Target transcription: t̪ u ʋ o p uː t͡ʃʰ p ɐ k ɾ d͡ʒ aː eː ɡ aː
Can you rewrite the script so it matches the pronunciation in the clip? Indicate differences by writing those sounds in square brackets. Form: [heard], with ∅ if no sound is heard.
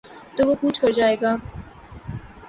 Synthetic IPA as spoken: t̪ [o] ʋ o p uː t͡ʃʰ [k] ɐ [∅] ɾ d͡ʒ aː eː ɡ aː